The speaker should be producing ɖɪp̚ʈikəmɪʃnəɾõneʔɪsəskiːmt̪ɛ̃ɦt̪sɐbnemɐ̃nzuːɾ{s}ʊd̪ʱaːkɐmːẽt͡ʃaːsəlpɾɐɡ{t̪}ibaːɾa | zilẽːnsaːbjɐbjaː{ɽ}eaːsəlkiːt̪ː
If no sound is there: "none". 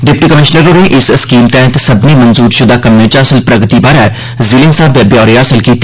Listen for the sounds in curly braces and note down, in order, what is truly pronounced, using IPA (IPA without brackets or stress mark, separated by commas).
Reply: ʃ, t̪, ɾ